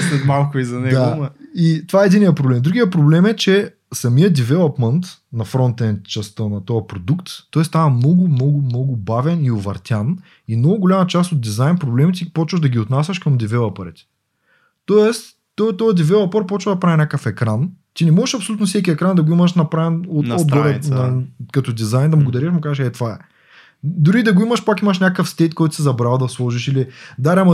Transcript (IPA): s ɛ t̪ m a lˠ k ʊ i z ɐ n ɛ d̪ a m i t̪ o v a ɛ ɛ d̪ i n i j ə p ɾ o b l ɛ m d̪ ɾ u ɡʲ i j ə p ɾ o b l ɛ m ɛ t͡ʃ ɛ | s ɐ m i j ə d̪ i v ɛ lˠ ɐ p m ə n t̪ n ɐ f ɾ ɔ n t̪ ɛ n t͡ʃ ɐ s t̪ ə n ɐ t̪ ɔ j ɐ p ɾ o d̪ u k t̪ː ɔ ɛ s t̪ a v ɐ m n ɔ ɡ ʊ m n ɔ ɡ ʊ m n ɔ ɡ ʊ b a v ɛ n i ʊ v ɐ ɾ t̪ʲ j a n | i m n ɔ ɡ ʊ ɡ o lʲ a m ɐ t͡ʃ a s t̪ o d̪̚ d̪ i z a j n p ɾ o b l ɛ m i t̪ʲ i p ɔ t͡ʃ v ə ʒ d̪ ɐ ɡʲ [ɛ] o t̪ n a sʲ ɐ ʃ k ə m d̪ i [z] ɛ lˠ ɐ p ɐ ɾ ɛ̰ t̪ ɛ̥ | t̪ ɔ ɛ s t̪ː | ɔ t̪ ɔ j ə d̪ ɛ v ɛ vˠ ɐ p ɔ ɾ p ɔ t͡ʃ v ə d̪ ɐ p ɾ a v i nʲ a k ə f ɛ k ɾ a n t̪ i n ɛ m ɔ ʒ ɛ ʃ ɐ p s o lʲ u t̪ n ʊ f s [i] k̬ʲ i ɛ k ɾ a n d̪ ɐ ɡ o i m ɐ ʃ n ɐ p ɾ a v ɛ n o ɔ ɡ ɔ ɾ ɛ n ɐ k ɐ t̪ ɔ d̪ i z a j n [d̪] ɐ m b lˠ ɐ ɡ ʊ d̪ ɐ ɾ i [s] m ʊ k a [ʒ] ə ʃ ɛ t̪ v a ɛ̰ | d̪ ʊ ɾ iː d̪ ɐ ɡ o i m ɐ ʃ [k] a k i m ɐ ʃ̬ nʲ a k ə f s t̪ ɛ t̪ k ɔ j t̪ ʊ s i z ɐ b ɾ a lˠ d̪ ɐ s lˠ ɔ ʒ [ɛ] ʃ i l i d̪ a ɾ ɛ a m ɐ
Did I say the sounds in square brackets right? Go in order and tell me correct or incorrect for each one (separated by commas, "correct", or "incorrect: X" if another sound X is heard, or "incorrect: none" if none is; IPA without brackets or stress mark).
incorrect: i, incorrect: v, incorrect: ɛ, correct, incorrect: ʃ, incorrect: z, incorrect: p, incorrect: i